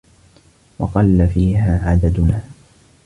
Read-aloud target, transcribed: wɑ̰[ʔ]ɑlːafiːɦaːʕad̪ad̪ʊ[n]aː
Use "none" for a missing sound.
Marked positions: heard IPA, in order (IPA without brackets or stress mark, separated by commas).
q, n